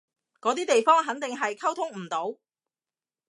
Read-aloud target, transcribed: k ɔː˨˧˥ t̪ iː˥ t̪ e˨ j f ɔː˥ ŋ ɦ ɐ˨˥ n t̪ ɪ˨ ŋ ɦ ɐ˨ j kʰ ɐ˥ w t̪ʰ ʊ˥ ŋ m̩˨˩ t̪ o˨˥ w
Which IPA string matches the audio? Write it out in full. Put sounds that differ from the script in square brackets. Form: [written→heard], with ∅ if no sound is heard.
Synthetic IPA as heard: k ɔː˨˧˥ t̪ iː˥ t̪ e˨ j f ɔː˥ ŋ ɦ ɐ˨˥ n t̪ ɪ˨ ŋ ɦ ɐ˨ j kʰ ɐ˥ w t̪ʰ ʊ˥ ŋ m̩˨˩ t̪ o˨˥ w